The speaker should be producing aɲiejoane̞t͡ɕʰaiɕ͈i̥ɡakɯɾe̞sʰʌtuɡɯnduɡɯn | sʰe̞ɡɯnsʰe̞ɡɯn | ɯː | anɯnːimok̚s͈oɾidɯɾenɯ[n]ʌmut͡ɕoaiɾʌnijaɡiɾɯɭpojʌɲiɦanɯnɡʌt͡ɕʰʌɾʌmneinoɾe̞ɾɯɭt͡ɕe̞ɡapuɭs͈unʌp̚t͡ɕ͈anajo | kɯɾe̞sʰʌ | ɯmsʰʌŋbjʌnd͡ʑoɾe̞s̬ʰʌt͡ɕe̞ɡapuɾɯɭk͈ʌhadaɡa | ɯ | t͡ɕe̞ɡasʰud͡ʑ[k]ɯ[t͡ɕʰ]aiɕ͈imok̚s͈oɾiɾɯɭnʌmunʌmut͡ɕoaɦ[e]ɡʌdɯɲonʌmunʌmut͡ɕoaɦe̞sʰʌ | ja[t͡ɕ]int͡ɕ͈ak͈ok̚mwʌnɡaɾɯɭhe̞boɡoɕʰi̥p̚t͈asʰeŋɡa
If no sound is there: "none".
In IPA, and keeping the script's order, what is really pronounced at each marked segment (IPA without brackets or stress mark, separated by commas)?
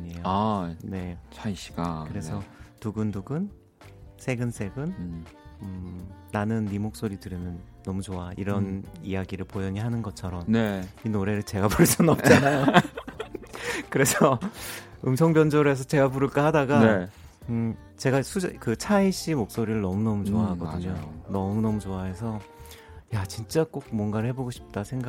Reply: nː, k, t͡ɕʰ, a, t͡ɕ